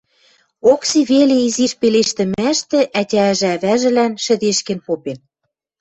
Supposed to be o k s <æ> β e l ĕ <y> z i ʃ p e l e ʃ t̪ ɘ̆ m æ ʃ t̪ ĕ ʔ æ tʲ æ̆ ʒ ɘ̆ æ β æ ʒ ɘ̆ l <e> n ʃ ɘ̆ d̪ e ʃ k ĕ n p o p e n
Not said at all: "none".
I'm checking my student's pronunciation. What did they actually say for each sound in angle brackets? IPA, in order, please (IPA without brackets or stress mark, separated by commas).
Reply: i, i, æ